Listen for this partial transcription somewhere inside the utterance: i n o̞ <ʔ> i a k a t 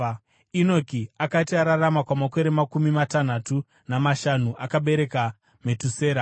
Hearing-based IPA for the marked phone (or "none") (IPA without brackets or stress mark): k